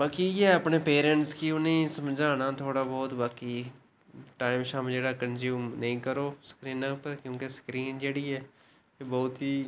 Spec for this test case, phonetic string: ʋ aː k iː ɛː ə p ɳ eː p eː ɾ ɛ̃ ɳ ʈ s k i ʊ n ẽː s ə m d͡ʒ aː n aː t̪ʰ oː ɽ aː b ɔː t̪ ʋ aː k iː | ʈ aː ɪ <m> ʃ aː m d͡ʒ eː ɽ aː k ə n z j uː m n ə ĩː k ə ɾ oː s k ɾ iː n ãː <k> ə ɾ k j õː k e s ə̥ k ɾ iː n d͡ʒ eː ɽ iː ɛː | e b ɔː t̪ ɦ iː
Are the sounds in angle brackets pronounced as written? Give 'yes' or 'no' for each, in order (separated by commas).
yes, no